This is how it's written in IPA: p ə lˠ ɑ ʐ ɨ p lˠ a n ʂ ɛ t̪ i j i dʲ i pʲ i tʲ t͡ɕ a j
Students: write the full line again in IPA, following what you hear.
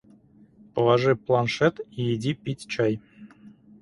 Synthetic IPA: p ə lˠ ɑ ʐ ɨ p lˠ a n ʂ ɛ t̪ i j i dʲ i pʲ i tʲ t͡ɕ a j

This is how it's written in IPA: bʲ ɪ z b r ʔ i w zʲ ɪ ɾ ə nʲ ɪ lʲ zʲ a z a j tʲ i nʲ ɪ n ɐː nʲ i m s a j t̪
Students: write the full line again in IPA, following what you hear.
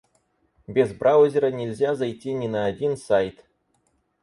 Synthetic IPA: bʲ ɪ z b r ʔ a w zʲ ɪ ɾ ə nʲ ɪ lʲ zʲ a z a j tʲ i nʲ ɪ n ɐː dʲ i n s a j t̪

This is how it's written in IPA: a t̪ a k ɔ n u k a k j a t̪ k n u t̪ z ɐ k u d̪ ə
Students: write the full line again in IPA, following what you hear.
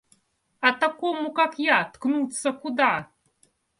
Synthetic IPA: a t̪ a k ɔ m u k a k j a t̪ k n u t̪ s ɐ k u d̪ a

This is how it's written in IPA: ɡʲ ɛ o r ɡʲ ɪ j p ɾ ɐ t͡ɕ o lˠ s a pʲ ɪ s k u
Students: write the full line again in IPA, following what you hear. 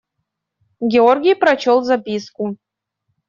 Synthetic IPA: ɡʲ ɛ o r ɡʲ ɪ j p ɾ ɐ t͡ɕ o lˠ z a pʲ i s k u

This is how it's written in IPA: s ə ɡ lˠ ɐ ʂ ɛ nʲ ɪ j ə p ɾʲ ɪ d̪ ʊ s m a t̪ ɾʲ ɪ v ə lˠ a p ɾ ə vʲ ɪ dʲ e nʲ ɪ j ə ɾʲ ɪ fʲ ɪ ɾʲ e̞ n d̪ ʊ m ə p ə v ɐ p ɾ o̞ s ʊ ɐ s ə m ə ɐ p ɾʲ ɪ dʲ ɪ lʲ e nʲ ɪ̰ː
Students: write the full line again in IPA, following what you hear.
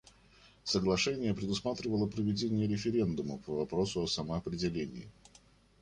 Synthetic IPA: s ə ɡ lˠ ɐ ʂ ɛ nʲ ɪ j ə p ɾʲ ɪ d̪ ʊ s m a t̪ ɾʲ ɪ v ə lˠ ə p ɾ ə vʲ ɪ dʲ e nʲ ɪ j ə ɾʲ ɪ fʲ ɪ ɾʲ e̞ n d̪ ʊ m ə p ə v ɐ p ɾ o̞ s ʊ ɐ s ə m ə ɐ p ɾʲ ɪ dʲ ɪ lʲ e nʲ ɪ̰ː

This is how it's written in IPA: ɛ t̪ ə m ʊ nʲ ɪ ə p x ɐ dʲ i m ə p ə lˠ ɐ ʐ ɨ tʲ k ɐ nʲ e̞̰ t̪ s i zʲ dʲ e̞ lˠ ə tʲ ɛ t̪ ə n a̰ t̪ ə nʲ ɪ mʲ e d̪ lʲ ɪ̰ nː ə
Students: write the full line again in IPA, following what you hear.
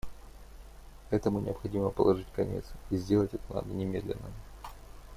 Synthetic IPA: ɛ t̪ ə m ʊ nʲ ɪ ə p x ɐ dʲ i m ə p ə lˠ ɐ ʐ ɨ tʲ k ɐ nʲ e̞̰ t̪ s i zʲ dʲ e̞ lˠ ə tʲ ɛ t̪ ə n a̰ d̪ ə nʲ ɪ mʲ e d̪ lʲ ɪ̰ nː ə

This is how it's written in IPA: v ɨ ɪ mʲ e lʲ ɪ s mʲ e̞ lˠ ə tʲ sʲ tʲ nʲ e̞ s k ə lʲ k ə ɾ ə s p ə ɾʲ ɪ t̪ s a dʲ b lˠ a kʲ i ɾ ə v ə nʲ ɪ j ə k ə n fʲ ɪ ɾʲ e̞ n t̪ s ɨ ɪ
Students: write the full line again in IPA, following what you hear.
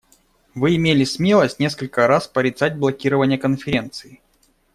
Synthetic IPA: v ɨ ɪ mʲ e lʲ ɪ s mʲ e̞ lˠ ə sʲ tʲ nʲ e̞ s k ə lʲ k ə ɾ a s p ə ɾʲ ɪ t̪ s a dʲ b lˠ ɐ kʲ i ɾ ə v ə nʲ ɪ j ə k ə n fʲ ɪ ɾʲ e̞ n t̪ s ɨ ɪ

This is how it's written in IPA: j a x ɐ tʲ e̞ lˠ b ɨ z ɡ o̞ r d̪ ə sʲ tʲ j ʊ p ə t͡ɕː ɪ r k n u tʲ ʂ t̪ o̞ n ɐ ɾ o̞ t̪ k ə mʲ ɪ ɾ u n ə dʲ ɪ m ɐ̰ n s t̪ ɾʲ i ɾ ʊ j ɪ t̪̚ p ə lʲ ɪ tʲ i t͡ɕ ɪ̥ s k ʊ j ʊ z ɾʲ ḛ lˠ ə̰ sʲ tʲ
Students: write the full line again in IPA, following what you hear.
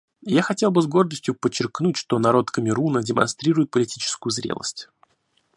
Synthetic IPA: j a x ɐ tʲ e̞ lˠ b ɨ z ɡ o̞ r d̪ ə sʲ tʲ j ʊ p ə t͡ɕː ɪ r k n u tʲ ʂ t̪ o̞ n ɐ ɾ o̞ t̪ k ə mʲ ɪ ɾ u n ə dʲ ɪ m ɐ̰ n s t̪ ɾʲ i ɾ ʊ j ɪ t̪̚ p ə lʲ ɪ tʲ i t͡ɕ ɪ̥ s k ʊ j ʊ z ɾʲ ḛ lˠ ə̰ sʲ tʲ

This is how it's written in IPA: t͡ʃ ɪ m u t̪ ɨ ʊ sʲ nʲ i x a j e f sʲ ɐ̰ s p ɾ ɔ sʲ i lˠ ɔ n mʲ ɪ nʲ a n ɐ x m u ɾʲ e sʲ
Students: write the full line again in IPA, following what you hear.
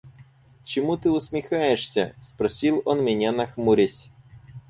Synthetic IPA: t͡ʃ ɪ m u t̪ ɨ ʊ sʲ mʲ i x a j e ʂ sʲ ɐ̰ s p ɾ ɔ sʲ i lˠ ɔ n mʲ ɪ nʲ a n ɐ x m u ɾʲ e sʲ

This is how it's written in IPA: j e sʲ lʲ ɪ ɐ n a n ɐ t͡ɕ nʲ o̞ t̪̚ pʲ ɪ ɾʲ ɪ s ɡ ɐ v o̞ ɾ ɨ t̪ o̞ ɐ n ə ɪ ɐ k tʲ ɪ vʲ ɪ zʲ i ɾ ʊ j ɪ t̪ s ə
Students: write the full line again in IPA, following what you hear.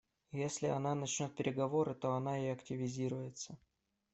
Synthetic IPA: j e sʲ lʲ ɪ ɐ n a n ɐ t͡ɕ nʲ o̞ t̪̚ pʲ ɪ ɾʲ ɪ ɡ ɐ v o̞ ɾ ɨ t̪ o̞ ɐ n a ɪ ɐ k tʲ ɪ vʲ ɪ zʲ i ɾ ʊ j ɪ t̪ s ə

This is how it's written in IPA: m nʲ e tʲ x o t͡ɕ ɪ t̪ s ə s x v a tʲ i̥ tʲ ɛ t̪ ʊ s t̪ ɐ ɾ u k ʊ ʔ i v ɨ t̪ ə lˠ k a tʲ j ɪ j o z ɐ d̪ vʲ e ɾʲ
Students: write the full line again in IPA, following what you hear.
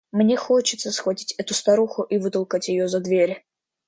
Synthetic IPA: m nʲ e x o t͡ɕ ɪ t̪ s ə s x v ɐ tʲ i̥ tʲ ɛ t̪ ʊ s t̪ ɐ ɾ u x ʊ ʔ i v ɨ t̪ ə lˠ k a tʲ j ɪ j o z ɐ d̪ vʲ e ɾʲ

